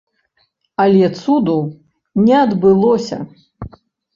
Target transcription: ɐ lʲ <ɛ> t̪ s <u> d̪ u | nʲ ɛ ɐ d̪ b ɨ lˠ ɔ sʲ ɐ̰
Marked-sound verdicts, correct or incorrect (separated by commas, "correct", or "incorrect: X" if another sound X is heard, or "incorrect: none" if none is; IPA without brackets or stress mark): correct, correct